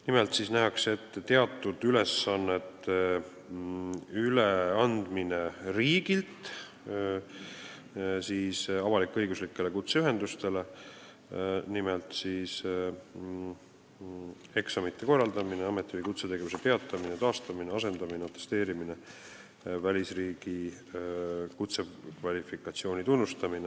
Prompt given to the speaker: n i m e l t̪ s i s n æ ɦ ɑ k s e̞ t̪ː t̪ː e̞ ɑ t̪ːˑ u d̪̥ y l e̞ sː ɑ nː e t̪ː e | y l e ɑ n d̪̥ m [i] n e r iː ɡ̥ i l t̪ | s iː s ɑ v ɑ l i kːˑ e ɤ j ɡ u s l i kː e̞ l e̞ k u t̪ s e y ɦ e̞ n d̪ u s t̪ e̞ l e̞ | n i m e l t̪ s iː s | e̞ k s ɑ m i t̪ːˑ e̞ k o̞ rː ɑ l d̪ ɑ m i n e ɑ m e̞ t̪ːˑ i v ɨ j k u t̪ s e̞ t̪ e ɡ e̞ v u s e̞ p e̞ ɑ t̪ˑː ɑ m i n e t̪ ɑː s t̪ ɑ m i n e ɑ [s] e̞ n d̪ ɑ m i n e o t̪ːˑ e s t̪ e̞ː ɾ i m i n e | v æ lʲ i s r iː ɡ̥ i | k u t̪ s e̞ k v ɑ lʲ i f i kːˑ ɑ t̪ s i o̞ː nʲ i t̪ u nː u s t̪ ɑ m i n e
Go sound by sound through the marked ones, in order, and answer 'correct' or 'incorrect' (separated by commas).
correct, correct